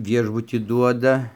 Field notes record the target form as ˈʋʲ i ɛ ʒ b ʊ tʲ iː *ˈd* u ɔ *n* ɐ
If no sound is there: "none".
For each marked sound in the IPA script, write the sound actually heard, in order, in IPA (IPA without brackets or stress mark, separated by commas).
d, d